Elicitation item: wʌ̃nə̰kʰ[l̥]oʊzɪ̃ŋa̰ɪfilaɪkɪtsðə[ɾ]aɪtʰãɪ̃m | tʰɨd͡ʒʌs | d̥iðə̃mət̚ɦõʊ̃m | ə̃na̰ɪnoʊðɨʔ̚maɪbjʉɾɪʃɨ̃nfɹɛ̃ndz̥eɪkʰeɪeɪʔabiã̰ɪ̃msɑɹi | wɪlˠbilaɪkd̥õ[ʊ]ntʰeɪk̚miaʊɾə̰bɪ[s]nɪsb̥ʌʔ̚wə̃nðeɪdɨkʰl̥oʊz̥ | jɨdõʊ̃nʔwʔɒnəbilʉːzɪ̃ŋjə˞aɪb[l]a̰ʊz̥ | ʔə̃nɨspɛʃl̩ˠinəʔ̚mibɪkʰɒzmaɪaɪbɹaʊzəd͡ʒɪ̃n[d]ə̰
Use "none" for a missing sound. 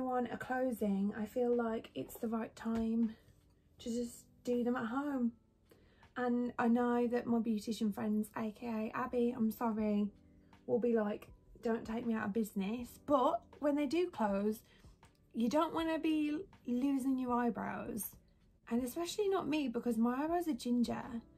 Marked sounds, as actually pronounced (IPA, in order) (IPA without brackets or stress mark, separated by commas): l̥, ɹ, ʊ̃, z, ɹ, d͡ʒ